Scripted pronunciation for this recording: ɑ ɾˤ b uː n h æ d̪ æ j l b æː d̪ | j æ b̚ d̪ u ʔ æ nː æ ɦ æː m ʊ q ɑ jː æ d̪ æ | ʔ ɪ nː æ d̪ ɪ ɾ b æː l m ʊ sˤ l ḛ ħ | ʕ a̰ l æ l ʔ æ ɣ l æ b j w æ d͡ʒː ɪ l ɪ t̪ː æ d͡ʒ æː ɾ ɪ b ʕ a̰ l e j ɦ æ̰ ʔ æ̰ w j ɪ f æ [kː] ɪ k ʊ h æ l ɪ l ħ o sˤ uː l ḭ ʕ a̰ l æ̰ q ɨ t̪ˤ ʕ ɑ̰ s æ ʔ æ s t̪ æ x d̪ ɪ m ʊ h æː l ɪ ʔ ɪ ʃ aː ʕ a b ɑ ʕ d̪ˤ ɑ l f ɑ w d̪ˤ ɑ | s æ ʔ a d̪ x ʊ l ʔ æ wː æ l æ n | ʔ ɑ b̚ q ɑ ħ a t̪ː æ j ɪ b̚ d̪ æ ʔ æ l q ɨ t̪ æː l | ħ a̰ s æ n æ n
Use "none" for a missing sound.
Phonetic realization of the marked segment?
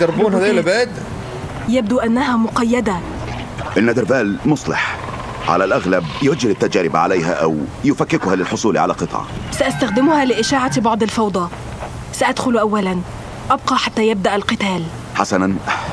kː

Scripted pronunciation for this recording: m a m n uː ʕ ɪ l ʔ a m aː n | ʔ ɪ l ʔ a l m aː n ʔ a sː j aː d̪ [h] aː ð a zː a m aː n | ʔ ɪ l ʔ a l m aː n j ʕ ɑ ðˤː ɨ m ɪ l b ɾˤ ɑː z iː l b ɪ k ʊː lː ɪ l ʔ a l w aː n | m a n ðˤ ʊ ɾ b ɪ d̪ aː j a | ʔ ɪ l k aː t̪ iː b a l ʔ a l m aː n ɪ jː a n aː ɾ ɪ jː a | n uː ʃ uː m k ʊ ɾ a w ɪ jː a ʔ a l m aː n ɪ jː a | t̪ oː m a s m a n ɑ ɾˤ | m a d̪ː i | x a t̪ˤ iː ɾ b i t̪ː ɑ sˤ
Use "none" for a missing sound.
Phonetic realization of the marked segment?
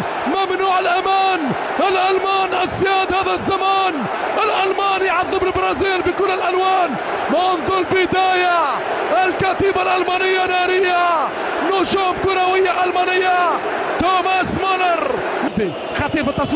h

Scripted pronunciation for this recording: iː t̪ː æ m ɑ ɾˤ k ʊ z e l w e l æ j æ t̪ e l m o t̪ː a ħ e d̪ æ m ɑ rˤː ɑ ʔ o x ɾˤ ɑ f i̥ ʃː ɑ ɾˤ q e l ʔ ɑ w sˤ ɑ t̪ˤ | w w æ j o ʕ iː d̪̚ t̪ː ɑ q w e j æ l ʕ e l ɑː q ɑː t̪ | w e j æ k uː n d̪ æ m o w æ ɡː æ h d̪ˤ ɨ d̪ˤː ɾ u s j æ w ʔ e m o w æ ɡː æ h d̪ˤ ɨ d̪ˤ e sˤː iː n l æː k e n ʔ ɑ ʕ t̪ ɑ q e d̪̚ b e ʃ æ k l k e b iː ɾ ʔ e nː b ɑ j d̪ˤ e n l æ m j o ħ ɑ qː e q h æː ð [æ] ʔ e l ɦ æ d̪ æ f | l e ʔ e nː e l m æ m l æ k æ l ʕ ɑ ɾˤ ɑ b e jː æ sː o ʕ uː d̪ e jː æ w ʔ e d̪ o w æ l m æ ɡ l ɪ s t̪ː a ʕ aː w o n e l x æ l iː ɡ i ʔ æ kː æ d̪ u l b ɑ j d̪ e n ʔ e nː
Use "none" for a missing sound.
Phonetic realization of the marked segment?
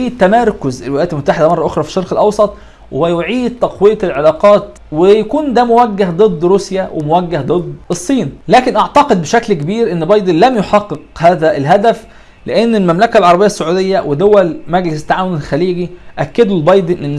æ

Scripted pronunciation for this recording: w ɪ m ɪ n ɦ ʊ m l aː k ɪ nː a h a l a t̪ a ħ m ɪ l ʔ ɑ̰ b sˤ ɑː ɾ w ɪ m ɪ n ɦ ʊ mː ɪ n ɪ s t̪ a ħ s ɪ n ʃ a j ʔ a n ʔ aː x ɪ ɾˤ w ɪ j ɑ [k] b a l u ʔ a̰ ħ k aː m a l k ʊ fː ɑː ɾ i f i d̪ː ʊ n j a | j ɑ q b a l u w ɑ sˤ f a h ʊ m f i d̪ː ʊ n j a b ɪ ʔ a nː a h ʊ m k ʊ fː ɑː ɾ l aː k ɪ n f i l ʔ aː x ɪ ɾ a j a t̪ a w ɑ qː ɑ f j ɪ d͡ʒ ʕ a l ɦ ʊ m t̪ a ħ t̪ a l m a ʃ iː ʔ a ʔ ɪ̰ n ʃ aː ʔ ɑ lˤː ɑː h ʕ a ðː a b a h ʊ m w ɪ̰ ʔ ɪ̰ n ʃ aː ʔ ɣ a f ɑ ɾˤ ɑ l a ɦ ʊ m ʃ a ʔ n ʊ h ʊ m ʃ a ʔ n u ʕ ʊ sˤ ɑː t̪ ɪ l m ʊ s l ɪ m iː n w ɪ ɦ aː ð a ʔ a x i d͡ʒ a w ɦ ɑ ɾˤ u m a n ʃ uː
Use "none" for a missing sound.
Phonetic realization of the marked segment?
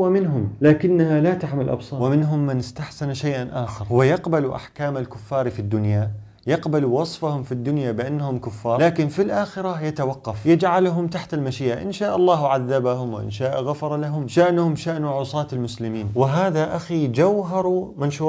q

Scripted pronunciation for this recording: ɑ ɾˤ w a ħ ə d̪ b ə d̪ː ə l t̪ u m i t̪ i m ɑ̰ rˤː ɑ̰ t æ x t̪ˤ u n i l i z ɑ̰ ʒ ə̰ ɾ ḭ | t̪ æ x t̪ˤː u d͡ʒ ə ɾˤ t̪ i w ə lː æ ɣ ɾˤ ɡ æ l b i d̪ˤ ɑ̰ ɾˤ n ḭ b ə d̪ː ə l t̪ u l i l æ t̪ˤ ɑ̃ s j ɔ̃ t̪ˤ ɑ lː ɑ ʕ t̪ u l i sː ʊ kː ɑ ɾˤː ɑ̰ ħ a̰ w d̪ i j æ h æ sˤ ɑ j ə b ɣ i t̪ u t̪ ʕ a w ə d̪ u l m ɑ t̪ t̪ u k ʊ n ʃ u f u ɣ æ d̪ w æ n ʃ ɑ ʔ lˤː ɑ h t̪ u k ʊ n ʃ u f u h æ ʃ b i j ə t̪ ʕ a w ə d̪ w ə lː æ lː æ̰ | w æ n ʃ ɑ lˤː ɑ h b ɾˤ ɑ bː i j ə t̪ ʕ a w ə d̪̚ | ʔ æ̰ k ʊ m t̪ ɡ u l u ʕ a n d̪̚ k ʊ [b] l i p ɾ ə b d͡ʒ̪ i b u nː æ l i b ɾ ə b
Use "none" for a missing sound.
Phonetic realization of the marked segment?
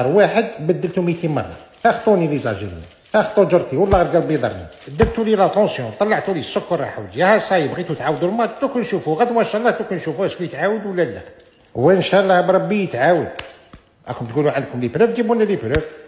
m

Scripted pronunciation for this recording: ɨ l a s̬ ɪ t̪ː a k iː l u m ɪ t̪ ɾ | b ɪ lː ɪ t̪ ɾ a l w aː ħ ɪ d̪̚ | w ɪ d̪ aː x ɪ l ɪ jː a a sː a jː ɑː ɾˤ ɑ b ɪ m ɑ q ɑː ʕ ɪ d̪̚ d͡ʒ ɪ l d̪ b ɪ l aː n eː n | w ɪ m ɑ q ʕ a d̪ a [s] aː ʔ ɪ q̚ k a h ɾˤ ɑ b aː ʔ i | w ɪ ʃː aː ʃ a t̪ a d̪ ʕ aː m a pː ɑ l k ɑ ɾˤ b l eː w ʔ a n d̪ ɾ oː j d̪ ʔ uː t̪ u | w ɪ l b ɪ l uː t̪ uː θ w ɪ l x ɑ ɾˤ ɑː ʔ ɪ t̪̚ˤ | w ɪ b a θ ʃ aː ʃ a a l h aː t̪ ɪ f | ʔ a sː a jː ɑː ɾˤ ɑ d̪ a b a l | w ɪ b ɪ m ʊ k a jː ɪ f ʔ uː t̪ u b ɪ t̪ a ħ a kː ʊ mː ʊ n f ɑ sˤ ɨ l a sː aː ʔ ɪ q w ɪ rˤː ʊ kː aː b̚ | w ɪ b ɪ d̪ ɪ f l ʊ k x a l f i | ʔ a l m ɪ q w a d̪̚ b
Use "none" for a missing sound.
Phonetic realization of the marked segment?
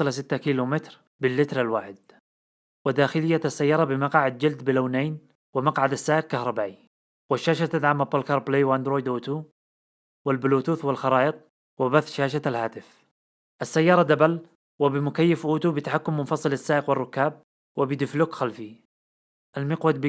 sː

